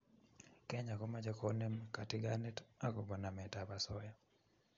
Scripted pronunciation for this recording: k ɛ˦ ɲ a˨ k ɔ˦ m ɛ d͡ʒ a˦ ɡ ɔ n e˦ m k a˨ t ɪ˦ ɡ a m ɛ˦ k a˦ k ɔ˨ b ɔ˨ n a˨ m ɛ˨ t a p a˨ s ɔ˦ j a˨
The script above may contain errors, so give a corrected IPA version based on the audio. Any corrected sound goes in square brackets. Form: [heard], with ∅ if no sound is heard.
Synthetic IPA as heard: k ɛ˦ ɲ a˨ k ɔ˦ m [a] d͡ʒ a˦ [k] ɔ n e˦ m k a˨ t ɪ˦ ɡ a [n] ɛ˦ [t] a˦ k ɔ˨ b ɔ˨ n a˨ m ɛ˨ t a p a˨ s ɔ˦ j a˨